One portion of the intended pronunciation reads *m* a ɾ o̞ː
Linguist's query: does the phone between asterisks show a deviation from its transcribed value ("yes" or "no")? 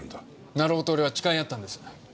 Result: yes